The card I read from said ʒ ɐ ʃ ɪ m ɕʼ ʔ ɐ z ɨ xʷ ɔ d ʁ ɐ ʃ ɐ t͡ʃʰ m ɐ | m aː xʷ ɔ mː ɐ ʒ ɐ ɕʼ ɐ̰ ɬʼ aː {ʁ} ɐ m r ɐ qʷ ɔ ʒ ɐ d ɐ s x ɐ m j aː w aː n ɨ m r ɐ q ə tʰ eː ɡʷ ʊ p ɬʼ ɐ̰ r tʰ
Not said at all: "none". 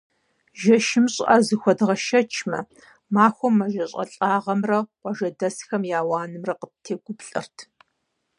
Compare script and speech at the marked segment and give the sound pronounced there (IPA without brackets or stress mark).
ʁ